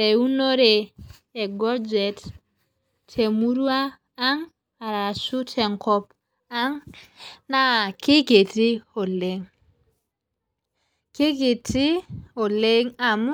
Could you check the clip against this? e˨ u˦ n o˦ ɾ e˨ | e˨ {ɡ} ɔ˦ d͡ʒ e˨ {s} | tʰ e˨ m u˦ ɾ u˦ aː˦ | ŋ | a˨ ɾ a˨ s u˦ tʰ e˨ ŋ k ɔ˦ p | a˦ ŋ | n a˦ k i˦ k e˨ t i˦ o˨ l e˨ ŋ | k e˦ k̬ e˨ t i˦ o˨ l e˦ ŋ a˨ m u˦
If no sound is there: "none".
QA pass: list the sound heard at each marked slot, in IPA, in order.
ɡ, t

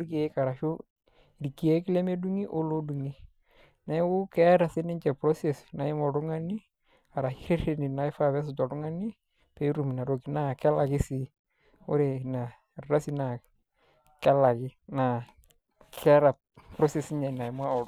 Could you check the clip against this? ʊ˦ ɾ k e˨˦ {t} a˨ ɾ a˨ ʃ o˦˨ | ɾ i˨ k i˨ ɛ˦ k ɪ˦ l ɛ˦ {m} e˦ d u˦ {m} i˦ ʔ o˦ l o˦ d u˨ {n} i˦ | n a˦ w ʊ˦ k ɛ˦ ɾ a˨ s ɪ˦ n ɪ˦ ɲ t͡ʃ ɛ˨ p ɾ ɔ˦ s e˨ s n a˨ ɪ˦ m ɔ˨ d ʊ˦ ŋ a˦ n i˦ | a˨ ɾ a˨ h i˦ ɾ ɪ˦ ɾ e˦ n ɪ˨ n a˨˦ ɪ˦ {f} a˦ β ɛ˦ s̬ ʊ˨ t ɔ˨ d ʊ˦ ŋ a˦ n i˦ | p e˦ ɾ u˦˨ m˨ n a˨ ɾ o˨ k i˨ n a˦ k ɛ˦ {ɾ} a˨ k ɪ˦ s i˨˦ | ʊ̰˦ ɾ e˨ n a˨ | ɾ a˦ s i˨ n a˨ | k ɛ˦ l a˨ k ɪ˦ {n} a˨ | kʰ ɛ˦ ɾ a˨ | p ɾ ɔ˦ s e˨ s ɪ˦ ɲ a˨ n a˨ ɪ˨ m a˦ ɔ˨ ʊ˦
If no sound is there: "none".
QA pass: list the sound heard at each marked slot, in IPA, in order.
k, m, ŋ, ŋ, f, l, n

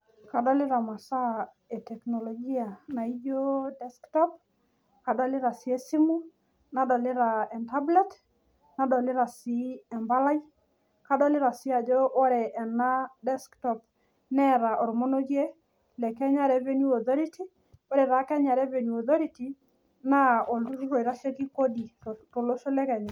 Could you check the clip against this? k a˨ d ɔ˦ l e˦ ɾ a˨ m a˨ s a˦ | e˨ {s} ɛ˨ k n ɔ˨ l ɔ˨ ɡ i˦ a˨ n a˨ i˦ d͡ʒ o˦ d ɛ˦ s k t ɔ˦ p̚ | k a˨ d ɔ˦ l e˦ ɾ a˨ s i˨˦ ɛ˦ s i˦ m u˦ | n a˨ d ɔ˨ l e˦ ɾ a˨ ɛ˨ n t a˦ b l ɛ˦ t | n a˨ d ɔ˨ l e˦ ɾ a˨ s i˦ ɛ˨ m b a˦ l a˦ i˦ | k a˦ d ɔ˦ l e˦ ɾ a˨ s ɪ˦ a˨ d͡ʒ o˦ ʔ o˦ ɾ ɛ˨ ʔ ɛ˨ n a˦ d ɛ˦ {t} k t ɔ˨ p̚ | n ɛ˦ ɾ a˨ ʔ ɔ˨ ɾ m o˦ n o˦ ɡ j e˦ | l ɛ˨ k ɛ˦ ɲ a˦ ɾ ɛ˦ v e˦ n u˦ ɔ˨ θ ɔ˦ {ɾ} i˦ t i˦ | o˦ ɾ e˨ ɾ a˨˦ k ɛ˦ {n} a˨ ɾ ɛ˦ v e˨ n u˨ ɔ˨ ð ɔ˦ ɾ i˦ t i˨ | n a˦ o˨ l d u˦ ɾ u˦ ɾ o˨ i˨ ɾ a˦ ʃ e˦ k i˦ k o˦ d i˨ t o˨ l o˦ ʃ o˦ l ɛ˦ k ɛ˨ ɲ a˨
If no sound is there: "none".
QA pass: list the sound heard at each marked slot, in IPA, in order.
t, s, ɾ, ɲ

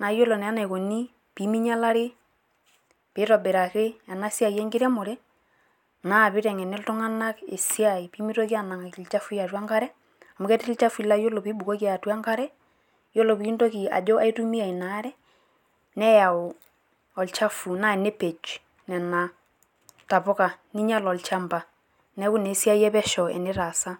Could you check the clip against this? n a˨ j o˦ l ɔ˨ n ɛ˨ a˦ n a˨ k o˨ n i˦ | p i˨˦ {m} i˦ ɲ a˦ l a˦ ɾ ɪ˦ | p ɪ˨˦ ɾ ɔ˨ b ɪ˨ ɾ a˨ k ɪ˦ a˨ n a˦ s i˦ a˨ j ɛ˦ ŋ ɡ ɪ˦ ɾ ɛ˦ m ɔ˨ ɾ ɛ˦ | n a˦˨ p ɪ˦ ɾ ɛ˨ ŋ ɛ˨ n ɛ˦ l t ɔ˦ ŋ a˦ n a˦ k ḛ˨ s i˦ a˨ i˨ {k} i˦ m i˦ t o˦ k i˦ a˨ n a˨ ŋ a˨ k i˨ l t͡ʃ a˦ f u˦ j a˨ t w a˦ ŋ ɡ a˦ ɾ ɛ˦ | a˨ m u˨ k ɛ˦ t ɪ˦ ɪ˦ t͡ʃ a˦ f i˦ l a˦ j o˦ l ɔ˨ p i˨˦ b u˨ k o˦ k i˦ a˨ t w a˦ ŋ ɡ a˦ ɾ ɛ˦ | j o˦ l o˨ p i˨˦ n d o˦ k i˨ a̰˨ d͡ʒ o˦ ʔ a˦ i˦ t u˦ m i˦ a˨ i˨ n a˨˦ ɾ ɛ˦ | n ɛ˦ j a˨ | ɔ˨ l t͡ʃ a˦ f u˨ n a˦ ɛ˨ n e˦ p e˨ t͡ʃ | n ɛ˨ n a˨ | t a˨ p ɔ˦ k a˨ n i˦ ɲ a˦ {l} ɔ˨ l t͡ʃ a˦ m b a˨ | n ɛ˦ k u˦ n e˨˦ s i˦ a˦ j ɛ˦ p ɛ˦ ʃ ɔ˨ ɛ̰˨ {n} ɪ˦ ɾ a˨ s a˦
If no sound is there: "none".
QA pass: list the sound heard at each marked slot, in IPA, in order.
m, p, l, n

